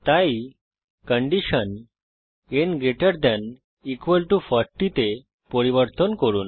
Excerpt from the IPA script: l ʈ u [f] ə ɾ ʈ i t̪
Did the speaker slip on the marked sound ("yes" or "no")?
no